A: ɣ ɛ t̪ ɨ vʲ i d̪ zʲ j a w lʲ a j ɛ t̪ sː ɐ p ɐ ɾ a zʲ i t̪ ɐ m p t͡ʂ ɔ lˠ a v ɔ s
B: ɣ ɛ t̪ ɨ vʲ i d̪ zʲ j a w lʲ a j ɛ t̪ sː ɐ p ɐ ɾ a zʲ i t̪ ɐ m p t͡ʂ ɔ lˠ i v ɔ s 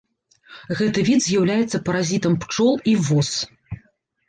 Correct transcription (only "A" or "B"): B